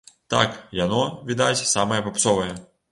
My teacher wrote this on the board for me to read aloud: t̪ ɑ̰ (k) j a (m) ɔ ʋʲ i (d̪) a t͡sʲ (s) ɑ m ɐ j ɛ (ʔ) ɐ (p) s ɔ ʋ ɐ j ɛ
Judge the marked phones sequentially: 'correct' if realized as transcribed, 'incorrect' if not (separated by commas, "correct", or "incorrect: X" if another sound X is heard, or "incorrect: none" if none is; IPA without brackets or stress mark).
correct, incorrect: n, correct, correct, incorrect: p, correct